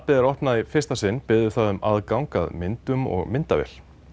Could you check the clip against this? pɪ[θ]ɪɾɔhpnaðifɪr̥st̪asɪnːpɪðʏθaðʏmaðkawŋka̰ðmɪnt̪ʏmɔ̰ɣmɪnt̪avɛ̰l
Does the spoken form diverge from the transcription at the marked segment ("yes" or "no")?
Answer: yes